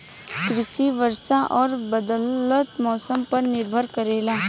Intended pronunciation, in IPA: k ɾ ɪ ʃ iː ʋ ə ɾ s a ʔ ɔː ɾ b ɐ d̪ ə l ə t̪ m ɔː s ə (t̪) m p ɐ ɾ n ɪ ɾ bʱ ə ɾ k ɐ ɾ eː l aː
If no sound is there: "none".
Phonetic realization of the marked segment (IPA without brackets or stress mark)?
none